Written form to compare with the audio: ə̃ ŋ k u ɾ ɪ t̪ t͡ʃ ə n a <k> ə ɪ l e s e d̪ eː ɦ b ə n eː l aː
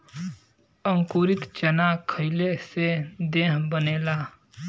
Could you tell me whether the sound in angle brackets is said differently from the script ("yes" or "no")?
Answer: yes